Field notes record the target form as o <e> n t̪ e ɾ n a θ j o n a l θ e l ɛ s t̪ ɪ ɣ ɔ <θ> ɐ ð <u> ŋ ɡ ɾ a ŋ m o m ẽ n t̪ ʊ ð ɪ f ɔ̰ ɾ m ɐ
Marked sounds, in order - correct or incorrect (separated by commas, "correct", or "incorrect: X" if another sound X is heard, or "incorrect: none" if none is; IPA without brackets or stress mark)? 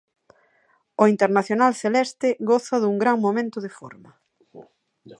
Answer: incorrect: i, correct, correct